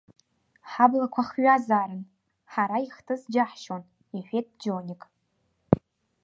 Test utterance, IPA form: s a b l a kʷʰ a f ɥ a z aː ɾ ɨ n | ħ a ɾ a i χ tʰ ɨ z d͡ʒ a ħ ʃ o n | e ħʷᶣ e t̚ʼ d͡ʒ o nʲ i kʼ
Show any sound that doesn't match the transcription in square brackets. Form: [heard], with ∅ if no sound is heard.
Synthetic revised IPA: [ħ] a b l a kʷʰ a [χ] ɥ a z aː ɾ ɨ n | ħ a ɾ a i χ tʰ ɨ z d͡ʒ a ħ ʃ o n | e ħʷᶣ e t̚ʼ d͡ʒ o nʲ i kʼ